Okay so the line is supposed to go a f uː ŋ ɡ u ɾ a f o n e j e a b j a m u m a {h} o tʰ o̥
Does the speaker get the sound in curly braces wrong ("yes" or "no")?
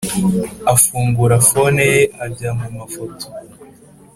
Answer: yes